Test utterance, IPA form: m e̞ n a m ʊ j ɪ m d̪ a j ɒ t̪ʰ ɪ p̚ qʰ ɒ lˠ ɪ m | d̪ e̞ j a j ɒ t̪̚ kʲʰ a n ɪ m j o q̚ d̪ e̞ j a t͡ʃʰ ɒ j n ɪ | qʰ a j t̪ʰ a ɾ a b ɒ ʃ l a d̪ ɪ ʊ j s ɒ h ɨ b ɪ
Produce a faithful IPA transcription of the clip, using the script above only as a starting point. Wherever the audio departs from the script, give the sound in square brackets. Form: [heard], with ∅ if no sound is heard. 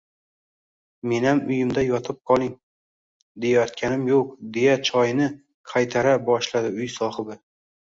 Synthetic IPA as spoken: m e̞ n a m ʊ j ɪ m d̪ a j ɒ t̪ʰ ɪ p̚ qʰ ɒ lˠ ɪ [ŋ] | d̪ e̞ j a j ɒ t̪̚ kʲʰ a n ɪ m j o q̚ d̪ e̞ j a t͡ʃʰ ɒ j n ɪ | qʰ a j t̪ʰ a ɾ a b ɒ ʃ l a d̪ ɪ ʊ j s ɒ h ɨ b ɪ